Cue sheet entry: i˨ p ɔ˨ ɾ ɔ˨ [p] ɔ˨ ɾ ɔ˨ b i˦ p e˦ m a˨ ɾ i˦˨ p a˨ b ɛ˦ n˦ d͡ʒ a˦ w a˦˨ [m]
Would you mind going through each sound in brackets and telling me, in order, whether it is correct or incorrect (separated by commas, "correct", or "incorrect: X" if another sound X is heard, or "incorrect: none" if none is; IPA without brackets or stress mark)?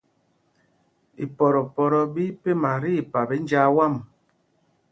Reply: correct, correct